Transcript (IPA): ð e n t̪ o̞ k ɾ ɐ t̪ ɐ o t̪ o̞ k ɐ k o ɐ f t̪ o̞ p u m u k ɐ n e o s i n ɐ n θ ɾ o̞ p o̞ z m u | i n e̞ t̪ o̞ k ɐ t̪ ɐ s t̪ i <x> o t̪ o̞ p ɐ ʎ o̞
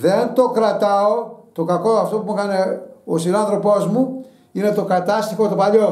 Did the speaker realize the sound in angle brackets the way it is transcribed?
yes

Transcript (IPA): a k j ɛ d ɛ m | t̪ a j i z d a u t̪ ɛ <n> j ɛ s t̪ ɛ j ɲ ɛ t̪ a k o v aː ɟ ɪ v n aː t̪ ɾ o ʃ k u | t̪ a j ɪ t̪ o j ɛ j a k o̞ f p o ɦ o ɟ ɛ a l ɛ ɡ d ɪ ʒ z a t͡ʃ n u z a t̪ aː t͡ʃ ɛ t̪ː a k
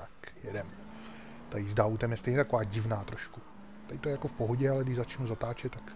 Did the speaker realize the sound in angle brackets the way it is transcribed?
no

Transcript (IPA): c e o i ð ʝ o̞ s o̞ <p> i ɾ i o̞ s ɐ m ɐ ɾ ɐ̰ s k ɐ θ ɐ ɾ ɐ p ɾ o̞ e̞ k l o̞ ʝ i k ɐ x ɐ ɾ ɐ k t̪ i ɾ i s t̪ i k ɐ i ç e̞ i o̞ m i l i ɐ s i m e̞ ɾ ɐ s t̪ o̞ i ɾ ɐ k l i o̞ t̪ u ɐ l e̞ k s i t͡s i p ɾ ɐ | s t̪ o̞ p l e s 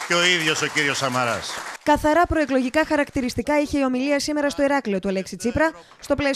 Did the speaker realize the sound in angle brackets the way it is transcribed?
no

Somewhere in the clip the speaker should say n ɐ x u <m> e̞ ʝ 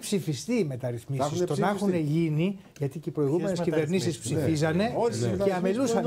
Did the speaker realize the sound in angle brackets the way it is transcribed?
no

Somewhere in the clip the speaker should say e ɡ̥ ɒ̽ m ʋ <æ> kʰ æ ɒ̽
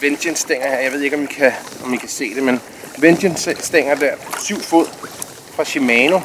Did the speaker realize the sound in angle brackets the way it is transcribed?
no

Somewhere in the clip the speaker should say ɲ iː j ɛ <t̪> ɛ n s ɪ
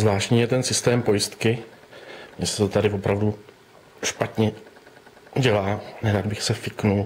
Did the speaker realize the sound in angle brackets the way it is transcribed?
yes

